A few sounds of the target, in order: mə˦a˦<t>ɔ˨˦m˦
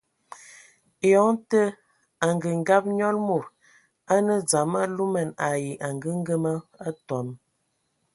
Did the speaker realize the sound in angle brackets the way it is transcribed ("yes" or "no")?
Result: yes